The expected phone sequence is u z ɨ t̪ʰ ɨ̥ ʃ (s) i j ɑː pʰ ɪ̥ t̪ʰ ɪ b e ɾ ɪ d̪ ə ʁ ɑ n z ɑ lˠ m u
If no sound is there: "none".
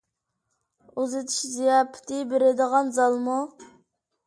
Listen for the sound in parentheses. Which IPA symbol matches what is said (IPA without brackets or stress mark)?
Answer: z